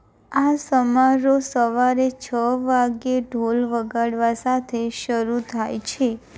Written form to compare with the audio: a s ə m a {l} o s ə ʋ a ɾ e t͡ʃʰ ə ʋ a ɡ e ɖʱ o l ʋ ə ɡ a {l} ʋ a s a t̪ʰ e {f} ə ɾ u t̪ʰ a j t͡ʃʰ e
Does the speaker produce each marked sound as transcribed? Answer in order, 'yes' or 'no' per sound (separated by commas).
no, no, no